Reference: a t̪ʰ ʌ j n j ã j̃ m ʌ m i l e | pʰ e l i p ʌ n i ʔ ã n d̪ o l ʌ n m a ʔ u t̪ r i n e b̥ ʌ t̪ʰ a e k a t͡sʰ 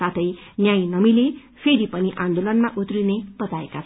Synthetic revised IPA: a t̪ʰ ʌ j n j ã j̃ n ʌ m i l e | pʰ e ɾ i p ʌ n i ʔ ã n d̪ o l ʌ n m a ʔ u t̪ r i n e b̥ ʌ t̪ a e k a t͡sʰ